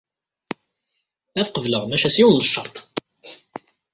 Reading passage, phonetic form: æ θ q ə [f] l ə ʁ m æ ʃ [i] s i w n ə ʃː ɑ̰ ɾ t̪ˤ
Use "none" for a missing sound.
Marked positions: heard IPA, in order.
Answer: v, æ

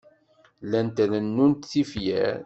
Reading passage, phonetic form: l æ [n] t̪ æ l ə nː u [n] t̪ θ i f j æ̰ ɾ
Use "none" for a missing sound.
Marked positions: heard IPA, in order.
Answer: n, n

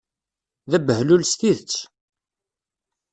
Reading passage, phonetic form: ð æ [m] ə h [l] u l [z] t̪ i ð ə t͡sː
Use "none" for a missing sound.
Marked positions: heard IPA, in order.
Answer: b, l, s

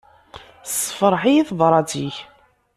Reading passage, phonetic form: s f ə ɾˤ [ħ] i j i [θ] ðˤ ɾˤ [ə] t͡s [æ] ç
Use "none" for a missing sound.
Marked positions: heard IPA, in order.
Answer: ħ, θ, ɑ, i

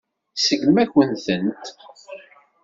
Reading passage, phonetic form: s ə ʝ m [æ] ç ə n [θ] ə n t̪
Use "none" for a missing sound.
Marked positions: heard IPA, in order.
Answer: æ, θ

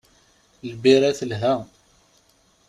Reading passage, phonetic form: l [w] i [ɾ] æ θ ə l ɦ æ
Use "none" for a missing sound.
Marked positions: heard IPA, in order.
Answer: b, ɾ

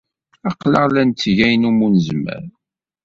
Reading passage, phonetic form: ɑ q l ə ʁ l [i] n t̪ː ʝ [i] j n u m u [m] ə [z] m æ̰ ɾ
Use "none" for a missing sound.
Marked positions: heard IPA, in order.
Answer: æ, æ, n, z

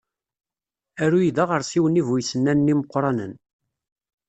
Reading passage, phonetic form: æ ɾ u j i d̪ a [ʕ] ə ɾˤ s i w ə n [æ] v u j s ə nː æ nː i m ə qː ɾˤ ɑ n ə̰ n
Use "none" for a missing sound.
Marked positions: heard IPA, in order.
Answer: ʁ, i

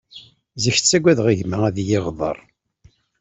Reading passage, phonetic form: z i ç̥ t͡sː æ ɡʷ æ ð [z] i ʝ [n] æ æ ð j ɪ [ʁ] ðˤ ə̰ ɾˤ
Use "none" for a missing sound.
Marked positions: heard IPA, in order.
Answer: ʁ, m, ʁ

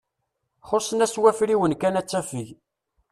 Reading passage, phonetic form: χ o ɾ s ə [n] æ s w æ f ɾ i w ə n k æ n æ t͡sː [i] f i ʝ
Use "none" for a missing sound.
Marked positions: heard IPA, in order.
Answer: n, æ

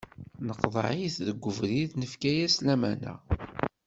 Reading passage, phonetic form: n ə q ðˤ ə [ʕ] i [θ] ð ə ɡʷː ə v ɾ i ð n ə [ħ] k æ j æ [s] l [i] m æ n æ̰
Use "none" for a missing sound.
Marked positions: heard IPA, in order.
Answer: ʕ, θ, f, s, æ

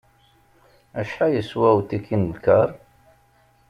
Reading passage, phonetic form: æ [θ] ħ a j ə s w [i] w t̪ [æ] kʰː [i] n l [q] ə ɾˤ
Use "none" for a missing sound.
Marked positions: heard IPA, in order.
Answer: ʃ, æ, i, i, k

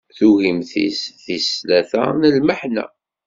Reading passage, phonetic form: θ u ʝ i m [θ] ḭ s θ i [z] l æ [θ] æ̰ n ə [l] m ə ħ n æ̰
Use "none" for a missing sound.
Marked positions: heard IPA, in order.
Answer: θ, s, θ, l

